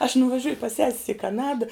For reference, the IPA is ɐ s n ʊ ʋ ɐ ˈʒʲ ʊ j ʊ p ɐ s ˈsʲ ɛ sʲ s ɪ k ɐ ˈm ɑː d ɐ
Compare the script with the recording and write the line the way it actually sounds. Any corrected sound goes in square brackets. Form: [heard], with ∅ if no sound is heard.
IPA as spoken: ɐ [ʃ] n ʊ ʋ ɐ ˈʒʲ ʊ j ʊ p ɐ s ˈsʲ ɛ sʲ s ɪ k ɐ [ˈn] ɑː d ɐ